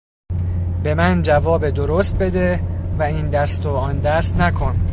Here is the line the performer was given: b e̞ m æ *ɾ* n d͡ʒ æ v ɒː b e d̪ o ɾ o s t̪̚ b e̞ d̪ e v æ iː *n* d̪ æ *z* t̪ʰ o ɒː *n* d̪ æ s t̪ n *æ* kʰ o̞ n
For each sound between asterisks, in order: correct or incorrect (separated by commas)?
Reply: incorrect, correct, incorrect, correct, correct